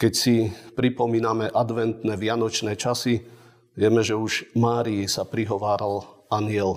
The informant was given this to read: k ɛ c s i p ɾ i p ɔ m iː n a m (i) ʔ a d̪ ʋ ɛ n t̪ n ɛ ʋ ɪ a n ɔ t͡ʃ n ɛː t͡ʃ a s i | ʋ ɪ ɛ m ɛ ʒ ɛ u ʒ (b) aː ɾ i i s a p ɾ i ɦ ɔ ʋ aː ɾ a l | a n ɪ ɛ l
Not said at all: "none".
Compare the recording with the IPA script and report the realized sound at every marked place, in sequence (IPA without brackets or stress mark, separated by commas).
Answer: ɛ, m